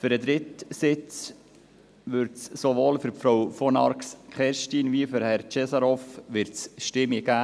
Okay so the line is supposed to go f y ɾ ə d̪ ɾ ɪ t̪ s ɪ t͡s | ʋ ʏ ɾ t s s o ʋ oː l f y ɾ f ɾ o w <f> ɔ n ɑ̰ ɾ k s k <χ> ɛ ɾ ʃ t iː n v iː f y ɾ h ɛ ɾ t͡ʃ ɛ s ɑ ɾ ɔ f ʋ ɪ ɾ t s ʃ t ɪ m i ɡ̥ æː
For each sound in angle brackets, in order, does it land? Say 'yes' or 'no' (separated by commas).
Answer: yes, yes